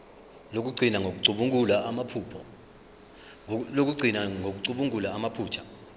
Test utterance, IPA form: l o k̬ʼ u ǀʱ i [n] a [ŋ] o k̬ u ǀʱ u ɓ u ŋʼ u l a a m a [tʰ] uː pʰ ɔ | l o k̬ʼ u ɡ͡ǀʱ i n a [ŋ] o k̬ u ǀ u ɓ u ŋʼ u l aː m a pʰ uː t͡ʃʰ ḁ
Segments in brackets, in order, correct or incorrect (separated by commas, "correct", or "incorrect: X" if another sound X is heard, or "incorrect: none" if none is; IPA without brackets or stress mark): correct, correct, incorrect: pʰ, correct